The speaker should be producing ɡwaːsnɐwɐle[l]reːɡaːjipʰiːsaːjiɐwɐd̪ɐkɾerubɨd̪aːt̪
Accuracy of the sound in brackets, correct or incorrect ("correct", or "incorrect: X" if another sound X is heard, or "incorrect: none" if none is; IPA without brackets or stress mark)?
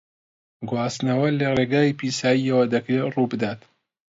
incorrect: none